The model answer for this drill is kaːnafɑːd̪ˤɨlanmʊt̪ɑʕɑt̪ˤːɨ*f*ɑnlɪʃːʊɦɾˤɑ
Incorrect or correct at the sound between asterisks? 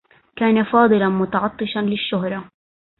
incorrect: ʃ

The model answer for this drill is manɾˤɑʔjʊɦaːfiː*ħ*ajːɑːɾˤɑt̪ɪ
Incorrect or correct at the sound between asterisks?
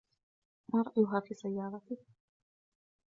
incorrect: s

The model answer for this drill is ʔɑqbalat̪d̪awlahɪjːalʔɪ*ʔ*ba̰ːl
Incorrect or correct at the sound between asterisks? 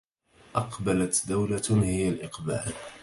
incorrect: q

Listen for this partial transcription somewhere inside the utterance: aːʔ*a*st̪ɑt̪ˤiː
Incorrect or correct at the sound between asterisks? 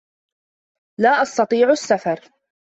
incorrect: ɑ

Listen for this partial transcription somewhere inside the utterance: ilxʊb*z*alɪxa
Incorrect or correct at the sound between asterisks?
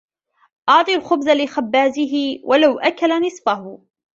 correct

